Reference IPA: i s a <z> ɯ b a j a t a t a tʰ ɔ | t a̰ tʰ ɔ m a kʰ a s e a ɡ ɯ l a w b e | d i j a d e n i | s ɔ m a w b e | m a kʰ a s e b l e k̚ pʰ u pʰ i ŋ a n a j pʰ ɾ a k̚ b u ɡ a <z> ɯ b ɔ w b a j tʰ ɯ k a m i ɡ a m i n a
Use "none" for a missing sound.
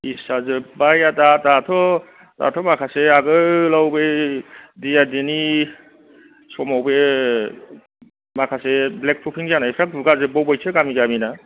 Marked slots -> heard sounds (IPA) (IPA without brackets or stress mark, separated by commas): z, z